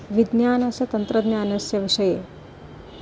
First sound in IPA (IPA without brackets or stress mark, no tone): ʋ